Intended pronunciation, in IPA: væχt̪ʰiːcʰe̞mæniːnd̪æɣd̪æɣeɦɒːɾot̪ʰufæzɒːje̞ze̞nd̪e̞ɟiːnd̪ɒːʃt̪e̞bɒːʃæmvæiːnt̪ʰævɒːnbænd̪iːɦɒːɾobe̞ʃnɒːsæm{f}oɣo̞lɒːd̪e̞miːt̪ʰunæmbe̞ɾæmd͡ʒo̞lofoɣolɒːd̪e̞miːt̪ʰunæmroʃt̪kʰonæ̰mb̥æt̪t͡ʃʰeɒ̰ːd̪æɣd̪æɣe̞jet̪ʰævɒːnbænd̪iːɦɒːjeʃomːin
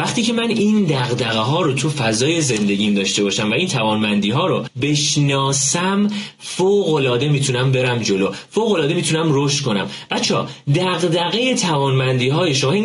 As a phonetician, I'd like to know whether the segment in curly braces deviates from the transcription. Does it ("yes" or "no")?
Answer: no